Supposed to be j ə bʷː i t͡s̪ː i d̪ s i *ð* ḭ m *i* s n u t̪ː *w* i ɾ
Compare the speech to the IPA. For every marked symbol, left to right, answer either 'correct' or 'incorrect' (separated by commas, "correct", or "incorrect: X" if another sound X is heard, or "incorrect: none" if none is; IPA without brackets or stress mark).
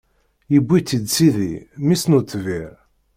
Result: correct, correct, incorrect: v